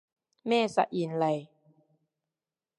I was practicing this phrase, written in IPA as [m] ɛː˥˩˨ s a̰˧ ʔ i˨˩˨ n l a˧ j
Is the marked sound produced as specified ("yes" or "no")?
yes